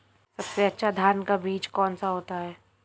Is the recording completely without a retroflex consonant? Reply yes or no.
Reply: yes